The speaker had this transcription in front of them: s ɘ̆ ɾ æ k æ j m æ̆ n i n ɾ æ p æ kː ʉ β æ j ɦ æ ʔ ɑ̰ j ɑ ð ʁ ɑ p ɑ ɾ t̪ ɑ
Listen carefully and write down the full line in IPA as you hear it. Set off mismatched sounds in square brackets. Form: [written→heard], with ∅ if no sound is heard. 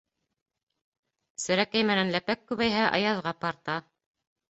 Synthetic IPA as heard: s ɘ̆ ɾ æ k æ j m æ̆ n [i→æ] n [ɾ→l] æ p æ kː ʉ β æ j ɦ æ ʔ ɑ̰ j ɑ ð ʁ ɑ p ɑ ɾ t̪ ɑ